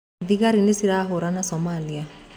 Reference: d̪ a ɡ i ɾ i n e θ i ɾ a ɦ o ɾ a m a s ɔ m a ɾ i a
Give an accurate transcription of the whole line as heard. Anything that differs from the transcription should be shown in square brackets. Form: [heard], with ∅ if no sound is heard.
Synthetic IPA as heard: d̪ [i] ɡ [a] ɾ i n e [s] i ɾ a ɦ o ɾ a [n] a s ɔ m a [l] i a